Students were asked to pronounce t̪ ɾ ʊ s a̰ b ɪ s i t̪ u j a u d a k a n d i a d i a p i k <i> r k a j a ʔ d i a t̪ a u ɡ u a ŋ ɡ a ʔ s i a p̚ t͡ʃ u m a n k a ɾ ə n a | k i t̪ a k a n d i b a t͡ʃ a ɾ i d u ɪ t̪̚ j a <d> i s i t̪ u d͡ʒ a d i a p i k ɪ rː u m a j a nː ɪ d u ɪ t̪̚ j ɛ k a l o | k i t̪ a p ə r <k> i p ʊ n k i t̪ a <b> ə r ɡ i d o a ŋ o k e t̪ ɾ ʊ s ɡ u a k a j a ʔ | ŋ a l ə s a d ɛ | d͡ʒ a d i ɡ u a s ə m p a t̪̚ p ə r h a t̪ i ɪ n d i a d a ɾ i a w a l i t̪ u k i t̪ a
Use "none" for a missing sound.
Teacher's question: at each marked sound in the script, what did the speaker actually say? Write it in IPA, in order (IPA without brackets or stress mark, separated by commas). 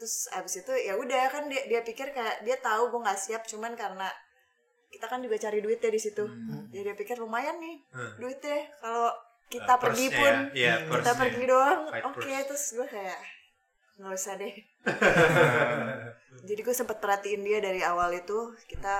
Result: ɪ, d, ɡ, p